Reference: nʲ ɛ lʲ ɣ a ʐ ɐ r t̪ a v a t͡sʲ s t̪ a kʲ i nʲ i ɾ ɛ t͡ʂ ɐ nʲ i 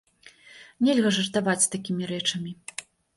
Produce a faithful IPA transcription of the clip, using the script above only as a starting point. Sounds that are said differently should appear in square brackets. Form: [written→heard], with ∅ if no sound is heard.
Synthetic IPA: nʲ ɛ lʲ ɣ [a→ɐ] ʐ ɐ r t̪ a v a t͡sʲ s t̪ a kʲ i [nʲ→mʲ] i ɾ ɛ t͡ʂ ɐ [nʲ→mʲ] i

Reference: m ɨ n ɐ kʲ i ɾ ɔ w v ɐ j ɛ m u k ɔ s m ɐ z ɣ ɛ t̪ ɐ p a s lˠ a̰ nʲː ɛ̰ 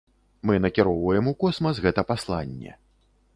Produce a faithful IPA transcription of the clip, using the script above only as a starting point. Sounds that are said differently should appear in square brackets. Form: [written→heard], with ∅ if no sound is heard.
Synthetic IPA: m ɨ n ɐ kʲ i ɾ ɔ w v ɐ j ɛ m u k ɔ s m ɐ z ɣ ɛ t̪ ɐ p a s lˠ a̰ nʲː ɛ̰

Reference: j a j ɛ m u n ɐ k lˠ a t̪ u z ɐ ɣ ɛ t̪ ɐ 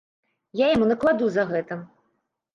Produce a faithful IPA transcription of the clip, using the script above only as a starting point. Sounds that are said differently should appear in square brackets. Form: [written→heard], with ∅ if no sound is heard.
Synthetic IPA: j a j [ɛ→a] m u n ɐ k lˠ a [t̪→d̪] u z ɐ ɣ ɛ t̪ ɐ

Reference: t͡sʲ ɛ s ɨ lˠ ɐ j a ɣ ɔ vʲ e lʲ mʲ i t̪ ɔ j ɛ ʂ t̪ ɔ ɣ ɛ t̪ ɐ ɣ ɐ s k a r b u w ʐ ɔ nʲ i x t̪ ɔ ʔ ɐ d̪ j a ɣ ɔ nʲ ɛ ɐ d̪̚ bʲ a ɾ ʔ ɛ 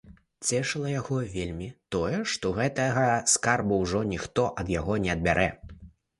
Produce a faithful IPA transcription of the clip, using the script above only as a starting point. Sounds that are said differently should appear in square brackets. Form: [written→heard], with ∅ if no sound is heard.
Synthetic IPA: t͡sʲ ɛ [s→ʂ] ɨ lˠ ɐ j a ɣ ɔ vʲ e lʲ mʲ i t̪ ɔ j ɛ ʂ t̪ ɔ ɣ ɛ t̪ ɐ ɣ ɐ s k a r b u w ʐ ɔ nʲ i x t̪ ɔ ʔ ɐ d̪ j a ɣ ɔ nʲ ɛ ɐ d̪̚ bʲ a ɾ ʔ ɛ

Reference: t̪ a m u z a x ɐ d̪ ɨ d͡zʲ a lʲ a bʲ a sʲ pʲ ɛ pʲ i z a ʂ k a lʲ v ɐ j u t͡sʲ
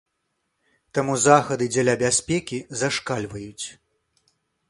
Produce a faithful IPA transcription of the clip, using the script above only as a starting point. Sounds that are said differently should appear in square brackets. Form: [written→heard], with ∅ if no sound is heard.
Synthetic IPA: t̪ a m u z a x ɐ d̪ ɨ d͡zʲ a lʲ a bʲ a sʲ pʲ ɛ [pʲ→kʲ] i z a ʂ k a lʲ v ɐ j u t͡sʲ

